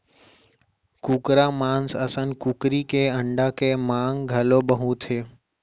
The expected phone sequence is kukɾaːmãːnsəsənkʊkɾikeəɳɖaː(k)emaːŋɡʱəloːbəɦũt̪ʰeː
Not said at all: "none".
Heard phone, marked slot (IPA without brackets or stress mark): k